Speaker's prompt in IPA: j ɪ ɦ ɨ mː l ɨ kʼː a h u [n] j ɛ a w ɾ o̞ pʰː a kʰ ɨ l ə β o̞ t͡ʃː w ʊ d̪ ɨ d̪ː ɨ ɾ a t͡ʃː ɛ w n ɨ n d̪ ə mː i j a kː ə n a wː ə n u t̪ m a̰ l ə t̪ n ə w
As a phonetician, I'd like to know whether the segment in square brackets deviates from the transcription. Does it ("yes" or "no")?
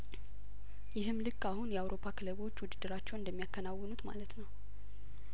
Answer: no